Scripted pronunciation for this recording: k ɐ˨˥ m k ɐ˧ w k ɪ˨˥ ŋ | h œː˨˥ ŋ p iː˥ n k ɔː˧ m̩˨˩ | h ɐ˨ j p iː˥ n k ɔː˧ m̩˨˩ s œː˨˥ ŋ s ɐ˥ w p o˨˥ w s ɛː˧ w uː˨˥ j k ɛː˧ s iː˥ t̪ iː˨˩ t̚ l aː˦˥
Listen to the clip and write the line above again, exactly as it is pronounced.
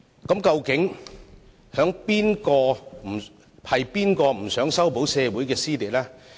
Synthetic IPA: k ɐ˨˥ m k ɐ˧ w k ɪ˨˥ ŋ | h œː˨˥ ŋ p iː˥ n k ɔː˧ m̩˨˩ | h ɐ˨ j p iː˥ n k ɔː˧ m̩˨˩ s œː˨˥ ŋ s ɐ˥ w p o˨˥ w s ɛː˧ w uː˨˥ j k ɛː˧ s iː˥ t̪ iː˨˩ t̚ l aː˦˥